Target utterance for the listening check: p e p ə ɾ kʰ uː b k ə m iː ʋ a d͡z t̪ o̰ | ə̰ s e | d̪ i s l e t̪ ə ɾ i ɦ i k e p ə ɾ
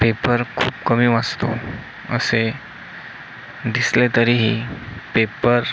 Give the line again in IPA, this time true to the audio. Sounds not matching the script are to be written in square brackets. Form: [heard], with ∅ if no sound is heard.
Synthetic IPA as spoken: p e p ə ɾ kʰ uː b k ə m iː ʋ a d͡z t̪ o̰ | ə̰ s e | d̪ i s l e t̪ ə ɾ i ɦ i [p] e p ə ɾ

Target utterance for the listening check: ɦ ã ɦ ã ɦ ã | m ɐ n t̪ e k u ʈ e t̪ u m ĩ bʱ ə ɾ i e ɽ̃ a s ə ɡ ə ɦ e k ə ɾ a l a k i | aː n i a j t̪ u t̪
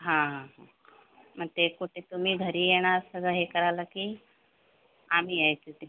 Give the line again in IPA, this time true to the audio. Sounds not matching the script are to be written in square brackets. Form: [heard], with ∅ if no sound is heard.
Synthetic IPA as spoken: ɦ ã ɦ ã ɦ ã | m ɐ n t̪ e k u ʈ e t̪ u m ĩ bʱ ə ɾ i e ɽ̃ a s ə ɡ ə ɦ e k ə ɾ a l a k i | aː [m] i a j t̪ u t̪

